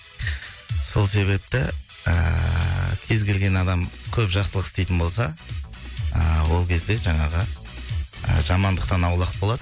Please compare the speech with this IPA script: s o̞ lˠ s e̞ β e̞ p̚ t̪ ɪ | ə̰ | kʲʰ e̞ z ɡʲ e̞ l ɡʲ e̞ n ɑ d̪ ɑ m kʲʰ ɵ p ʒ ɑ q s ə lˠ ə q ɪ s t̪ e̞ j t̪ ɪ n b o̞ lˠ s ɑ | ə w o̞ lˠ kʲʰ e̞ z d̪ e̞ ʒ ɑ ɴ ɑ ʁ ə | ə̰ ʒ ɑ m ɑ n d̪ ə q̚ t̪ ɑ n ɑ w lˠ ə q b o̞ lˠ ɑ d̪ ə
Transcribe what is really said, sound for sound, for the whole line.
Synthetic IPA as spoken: s o̞ lˠ s e̞ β e̞ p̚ t̪ ɪ | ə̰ | kʲʰ e̞ z ɡʲ e̞ l ɡʲ e̞ n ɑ d̪ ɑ m kʲʰ ɵ p ʒ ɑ q s ə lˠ ə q ɪ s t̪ e̞ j t̪ ɪ n b o̞ lˠ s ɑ | ə w o̞ lˠ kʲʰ e̞ z d̪ e̞ ʒ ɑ ɴ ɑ ʁ ə | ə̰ ʒ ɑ m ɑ n d̪ ə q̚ t̪ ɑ n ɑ w lˠ ɑ q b o̞ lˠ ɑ d̪ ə